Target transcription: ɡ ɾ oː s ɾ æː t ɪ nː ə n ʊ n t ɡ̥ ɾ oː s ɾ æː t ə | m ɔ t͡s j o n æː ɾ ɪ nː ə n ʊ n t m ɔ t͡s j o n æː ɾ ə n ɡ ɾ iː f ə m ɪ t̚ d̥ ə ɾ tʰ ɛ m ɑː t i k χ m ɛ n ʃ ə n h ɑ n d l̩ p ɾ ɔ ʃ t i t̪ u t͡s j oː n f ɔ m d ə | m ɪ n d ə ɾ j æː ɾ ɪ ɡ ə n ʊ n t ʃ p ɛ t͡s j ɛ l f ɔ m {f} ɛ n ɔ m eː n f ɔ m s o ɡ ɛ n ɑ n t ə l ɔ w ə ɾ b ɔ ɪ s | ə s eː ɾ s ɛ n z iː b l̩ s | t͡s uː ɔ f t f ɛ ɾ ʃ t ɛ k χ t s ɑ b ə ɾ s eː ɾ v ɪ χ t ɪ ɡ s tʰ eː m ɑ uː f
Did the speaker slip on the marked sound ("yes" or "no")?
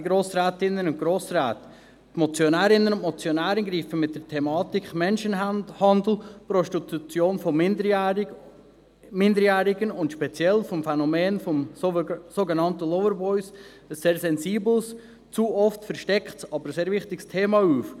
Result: no